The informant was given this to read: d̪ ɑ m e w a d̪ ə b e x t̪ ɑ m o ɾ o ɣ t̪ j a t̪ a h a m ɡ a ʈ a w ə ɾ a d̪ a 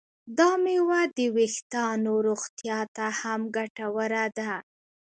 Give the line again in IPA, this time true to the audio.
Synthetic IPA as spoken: d̪ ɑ m e w a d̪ ə w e x t̪ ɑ n o ɾ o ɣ t̪ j ɑ t̪ a h a m ɡ a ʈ a w ə ɾ a d̪ a